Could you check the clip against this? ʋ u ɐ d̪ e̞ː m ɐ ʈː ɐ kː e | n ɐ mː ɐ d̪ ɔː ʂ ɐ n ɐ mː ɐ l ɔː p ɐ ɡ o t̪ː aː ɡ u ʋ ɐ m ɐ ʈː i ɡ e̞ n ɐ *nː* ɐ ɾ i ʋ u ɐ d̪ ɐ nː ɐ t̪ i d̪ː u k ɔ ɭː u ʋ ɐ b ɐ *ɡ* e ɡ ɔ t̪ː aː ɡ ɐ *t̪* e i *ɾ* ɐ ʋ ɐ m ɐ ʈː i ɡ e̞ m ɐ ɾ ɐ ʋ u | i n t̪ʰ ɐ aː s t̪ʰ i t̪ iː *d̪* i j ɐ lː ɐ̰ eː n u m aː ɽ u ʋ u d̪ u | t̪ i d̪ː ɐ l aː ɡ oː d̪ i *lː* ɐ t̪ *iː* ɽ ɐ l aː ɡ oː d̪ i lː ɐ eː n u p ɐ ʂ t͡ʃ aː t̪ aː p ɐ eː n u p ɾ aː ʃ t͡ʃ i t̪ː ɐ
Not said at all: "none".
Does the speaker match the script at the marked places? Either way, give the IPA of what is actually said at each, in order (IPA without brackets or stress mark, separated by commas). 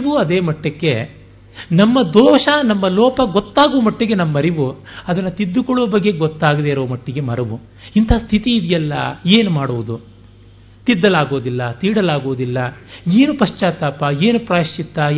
mː, ɡː, d̪, ɾ, d̪, lː, iː